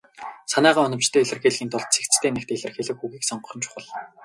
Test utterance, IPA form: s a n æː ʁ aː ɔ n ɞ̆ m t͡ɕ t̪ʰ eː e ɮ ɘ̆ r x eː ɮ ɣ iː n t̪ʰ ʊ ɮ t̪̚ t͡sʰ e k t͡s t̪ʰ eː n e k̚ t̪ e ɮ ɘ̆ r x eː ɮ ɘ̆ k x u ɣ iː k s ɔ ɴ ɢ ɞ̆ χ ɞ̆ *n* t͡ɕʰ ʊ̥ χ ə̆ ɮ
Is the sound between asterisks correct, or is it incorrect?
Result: correct